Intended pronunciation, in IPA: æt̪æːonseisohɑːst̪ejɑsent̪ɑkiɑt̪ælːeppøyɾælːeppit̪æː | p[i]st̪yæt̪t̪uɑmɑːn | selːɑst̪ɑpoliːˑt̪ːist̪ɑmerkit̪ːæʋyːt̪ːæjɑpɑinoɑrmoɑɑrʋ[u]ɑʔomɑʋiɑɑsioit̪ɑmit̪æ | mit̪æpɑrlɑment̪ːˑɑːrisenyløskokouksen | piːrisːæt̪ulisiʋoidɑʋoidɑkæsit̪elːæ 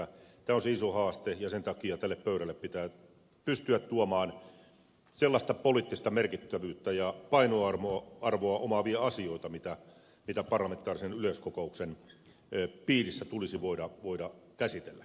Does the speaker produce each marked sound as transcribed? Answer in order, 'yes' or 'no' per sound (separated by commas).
no, no